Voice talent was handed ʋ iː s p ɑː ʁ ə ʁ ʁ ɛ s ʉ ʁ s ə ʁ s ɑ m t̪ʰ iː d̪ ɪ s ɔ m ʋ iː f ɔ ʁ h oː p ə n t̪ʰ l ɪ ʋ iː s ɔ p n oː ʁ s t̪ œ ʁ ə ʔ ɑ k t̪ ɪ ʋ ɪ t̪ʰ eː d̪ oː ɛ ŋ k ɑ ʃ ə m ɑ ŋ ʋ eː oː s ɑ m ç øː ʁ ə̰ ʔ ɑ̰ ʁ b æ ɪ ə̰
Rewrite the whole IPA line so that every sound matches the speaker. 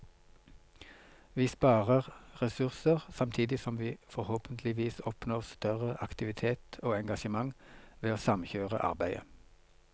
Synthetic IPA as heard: ʋ iː s p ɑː ʁ ə ʁ ʁ ɛ s ʉ ʁ s ə ʁ s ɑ m t̪ʰ iː d̪ ɪ s ɔ m ʋ iː f ɔ ʁ h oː p ə n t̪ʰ l ɪ ʋ iː s ɔ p n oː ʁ s t̪ œ ʁ ə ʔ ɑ k t̪ ɪ ʋ ɪ t̪ʰ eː t̪ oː ɛ ŋ ɡ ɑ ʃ ə m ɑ ŋ ʋ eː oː s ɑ m ç øː ʁ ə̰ ʔ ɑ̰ ʁ b æ ɪ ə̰